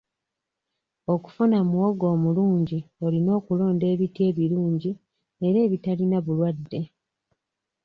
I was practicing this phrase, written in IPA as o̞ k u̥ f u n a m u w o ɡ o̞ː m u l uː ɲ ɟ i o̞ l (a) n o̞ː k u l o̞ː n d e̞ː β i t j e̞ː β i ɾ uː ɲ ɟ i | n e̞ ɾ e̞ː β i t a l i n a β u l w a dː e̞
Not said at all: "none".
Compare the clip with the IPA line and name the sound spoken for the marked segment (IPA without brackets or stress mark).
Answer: i